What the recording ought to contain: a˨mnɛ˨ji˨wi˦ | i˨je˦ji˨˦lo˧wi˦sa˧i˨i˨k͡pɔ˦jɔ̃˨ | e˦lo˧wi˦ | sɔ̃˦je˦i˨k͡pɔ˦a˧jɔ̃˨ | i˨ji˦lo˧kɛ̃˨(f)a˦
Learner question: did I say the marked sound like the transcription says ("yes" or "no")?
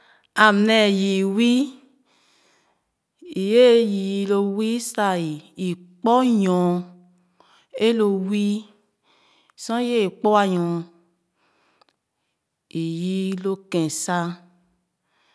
no